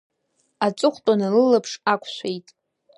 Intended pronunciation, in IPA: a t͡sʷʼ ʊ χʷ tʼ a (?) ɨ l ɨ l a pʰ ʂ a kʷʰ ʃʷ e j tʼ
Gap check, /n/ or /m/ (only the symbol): n